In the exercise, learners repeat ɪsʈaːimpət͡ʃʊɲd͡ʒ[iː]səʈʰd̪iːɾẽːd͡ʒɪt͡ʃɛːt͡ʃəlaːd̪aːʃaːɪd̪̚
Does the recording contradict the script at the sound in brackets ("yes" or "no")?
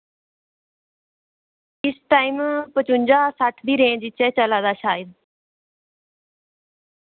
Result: yes